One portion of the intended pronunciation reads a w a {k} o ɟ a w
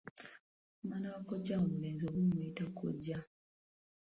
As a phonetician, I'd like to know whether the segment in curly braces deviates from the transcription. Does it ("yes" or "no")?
no